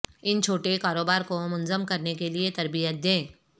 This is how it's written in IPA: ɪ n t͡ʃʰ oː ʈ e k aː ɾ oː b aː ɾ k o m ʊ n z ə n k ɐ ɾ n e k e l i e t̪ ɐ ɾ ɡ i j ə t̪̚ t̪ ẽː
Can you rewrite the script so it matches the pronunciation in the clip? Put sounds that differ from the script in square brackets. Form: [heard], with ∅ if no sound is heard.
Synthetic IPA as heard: ɪ n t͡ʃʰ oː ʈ e k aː ɾ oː b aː ɾ k o m ʊ n z ə [m] k ɐ ɾ n e k e l i e t̪ ɐ ɾ [b] i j ə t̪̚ [d̪] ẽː

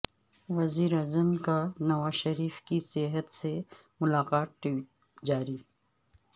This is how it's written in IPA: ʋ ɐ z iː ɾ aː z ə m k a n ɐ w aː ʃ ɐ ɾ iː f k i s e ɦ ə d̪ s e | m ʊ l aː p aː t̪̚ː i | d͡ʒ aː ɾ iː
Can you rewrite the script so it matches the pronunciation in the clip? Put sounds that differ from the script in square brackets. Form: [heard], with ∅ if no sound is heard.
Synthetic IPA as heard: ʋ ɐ z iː ɾ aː z ə m k a n ɐ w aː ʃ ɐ ɾ iː f k i s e ɦ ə [t̪] s e | m ʊ l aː [q] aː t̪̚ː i | d͡ʒ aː ɾ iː

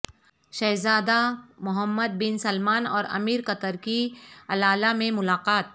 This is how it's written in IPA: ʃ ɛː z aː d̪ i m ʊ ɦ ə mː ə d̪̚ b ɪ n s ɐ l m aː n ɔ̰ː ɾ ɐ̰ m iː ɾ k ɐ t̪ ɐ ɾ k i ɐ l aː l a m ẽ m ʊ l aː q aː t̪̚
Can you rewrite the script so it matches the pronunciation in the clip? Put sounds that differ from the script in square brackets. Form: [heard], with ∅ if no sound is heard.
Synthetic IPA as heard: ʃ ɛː z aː d̪ [a] m ʊ ɦ ə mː ə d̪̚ b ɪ n s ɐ l m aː n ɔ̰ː ɾ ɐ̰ m iː ɾ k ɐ t̪ [ə] ɾ k i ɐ l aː l a m ẽ m ʊ l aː q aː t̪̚

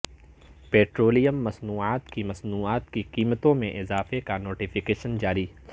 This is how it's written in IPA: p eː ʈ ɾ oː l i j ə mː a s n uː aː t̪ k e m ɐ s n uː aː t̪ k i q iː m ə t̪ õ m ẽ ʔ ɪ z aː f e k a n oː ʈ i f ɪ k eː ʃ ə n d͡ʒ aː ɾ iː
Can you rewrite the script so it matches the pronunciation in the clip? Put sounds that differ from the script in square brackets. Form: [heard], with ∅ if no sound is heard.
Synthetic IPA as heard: p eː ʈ ɾ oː l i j ə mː [ɐ] s n uː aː t̪ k [i] m ɐ s n uː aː t̪ k i q iː m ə t̪ õ m ẽ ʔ ɪ z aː f e k a n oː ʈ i f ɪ k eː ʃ ə n d͡ʒ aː ɾ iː

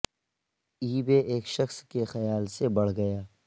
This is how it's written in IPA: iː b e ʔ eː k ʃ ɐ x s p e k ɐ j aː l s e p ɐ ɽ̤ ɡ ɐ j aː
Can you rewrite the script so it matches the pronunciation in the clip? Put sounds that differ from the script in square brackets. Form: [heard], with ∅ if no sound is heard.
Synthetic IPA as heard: iː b e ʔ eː k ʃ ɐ x s [k] e [x] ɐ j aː l s e [b] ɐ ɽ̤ ɡ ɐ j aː

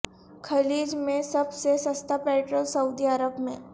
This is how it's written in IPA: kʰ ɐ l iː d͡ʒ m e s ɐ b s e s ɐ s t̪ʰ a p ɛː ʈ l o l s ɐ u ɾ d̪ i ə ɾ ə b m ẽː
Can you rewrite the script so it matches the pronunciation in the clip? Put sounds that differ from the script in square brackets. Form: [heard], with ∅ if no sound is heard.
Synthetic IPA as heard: kʰ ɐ l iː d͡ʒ m [ẽ] s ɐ b s e s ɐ s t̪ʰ a p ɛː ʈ [ɾ] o l s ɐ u [∅] d̪ i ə ɾ ə b m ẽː

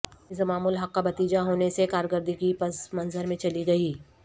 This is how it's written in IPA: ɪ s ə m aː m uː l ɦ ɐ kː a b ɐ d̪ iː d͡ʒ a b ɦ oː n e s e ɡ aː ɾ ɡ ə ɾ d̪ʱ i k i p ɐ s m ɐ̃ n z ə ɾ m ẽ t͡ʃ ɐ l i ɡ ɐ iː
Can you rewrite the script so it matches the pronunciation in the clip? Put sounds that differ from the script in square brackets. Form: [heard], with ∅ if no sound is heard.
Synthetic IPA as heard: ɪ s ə m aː m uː l ɦ ɐ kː a b ɐ [t̪] iː d͡ʒ a [∅] ɦ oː n e s e [k] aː ɾ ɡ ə ɾ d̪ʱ i k i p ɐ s m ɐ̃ n z ə ɾ m ẽ t͡ʃ ɐ l i ɡ ɐ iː

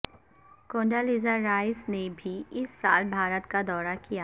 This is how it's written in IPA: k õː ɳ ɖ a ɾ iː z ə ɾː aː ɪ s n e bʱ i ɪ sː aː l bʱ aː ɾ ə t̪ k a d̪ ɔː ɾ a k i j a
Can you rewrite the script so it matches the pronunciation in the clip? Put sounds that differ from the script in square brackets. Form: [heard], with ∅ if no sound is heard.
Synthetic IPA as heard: k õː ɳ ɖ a [l] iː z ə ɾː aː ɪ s n e bʱ i ɪ sː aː l bʱ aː ɾ ə t̪ k a d̪ ɔː ɾ a k i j a

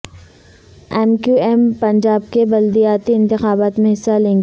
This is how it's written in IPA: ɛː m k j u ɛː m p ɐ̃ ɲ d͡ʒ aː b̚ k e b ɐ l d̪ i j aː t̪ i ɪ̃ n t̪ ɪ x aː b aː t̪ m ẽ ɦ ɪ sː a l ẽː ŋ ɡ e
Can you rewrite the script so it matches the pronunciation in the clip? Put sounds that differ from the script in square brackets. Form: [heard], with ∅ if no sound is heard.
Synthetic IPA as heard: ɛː m k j u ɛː m p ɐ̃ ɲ d͡ʒ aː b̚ k e b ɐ l d̪ i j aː t̪ i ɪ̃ n t̪ ɪ x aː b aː t̪ m ẽ ɦ ɪ sː a l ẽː ŋ ɡ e

